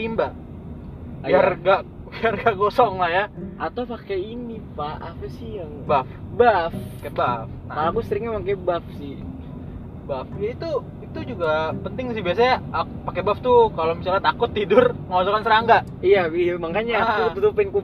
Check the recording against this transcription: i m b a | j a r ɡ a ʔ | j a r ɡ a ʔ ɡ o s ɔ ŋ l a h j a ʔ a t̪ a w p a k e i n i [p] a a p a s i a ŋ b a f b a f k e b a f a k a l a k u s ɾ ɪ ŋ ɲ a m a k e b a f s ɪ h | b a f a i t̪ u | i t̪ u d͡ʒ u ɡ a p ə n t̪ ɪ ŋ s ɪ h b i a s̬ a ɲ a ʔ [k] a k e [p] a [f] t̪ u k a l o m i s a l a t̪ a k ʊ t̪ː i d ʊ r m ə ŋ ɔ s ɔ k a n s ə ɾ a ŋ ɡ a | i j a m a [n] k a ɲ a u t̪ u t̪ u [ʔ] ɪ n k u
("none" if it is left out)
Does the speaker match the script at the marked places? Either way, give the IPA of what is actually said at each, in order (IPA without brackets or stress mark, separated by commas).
p, p, b, f, ŋ, p